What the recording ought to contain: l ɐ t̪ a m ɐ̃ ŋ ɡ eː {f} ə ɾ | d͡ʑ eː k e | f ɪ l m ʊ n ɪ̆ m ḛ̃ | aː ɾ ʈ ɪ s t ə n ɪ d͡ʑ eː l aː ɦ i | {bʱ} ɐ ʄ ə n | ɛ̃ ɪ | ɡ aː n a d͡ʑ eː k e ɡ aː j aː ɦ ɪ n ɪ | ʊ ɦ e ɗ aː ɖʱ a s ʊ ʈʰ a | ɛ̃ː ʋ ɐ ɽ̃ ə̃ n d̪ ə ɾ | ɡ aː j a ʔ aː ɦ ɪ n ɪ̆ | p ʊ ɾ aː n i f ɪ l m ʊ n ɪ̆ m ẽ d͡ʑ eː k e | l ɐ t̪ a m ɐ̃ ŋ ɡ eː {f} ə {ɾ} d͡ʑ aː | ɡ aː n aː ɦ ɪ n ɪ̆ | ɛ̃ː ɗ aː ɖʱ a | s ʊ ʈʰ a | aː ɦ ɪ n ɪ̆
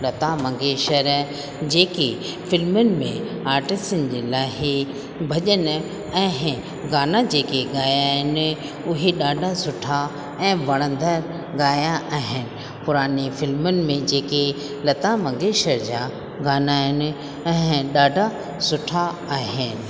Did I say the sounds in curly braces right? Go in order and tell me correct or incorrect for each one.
incorrect, correct, incorrect, correct

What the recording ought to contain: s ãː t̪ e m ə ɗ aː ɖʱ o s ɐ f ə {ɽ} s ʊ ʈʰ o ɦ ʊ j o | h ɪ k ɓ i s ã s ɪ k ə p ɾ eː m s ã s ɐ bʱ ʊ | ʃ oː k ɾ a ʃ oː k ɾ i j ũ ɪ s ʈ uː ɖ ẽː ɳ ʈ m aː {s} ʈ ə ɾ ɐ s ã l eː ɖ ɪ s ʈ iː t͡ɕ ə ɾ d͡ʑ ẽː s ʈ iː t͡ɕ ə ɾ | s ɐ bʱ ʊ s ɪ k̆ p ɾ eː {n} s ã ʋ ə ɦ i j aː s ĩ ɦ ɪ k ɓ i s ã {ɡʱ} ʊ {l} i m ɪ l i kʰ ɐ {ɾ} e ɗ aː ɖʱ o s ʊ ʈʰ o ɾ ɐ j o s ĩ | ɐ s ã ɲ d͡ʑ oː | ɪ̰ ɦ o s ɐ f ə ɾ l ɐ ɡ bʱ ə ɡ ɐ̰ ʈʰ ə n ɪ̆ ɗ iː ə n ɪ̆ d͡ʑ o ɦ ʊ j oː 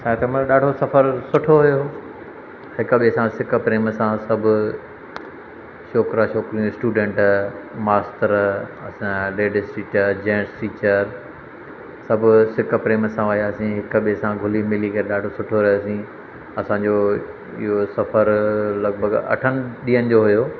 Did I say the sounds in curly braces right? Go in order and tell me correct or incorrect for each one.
incorrect, correct, incorrect, correct, correct, correct

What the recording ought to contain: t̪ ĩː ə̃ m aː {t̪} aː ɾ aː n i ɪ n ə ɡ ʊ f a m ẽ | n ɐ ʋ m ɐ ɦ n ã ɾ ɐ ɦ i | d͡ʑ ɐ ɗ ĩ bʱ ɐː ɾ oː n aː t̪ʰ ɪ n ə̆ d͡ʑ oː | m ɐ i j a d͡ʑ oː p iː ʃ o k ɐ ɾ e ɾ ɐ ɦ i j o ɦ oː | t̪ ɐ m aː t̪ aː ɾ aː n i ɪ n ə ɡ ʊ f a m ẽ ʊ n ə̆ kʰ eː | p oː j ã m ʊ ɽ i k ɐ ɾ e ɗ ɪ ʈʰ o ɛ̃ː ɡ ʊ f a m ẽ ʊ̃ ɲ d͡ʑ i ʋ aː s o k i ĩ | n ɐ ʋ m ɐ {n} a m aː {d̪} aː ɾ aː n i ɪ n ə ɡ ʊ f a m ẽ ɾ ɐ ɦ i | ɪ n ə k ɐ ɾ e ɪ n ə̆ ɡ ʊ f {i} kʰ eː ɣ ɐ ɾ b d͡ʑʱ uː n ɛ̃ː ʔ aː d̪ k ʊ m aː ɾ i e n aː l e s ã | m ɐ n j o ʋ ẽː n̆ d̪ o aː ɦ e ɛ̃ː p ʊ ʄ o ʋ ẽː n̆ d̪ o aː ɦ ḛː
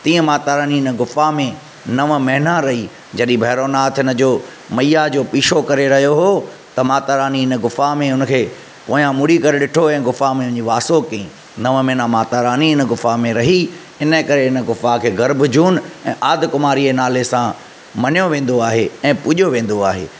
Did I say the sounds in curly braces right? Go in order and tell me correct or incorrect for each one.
correct, correct, incorrect, incorrect

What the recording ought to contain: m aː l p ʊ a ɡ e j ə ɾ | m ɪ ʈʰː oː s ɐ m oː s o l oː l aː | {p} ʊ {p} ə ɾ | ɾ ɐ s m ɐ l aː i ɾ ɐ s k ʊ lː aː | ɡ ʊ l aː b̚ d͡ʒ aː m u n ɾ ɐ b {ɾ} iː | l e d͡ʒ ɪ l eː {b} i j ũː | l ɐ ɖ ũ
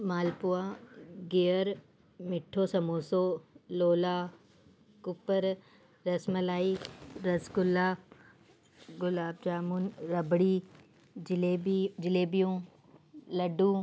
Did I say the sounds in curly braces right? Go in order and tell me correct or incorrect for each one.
incorrect, correct, incorrect, correct

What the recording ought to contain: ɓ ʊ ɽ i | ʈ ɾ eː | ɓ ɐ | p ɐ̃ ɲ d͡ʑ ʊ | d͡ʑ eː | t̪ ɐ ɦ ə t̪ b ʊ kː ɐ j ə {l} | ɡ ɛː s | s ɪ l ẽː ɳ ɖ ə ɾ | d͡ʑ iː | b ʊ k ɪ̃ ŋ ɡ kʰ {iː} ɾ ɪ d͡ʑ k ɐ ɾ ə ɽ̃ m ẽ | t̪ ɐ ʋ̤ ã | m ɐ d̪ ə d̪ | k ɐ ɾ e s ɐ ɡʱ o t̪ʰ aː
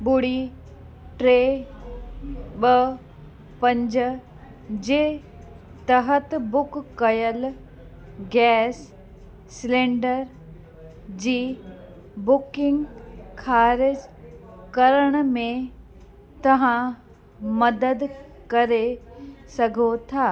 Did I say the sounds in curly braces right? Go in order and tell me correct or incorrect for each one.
correct, incorrect

